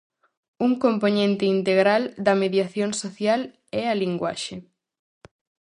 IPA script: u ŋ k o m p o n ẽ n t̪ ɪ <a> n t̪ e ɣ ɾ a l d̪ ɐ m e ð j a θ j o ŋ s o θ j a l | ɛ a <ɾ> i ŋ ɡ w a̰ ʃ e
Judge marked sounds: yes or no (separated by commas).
no, no